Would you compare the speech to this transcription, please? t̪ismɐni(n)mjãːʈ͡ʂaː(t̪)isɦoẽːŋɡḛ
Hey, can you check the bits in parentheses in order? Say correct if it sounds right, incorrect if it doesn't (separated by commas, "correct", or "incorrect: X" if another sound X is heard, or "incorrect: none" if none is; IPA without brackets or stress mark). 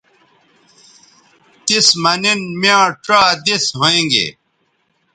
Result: correct, incorrect: d̪